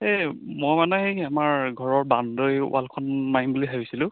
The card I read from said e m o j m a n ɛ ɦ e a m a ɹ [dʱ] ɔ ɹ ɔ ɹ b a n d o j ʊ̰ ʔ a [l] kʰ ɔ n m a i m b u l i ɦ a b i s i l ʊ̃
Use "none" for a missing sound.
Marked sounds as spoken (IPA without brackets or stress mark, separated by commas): ɡʱ, l